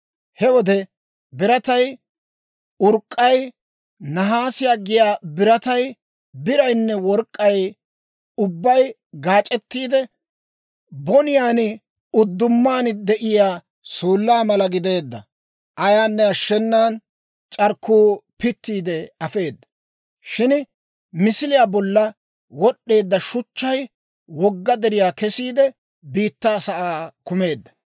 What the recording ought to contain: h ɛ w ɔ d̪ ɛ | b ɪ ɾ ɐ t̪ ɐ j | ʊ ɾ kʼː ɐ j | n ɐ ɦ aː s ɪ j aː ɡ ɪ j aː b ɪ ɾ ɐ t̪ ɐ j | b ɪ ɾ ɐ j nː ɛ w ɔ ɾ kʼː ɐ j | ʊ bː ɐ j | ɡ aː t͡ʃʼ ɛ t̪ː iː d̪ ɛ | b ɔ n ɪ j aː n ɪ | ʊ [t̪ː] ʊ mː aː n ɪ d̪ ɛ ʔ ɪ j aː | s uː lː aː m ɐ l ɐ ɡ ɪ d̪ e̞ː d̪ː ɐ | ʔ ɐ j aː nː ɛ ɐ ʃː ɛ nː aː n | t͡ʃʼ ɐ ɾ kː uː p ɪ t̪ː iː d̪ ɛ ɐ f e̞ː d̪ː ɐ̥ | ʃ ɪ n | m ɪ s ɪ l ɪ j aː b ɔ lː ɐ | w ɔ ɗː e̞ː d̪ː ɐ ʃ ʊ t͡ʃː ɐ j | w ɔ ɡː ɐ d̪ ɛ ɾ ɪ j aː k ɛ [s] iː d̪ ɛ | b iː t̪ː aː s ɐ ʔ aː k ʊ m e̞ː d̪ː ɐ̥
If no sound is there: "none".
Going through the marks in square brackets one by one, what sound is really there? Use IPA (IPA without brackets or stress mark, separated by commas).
d̪ː, s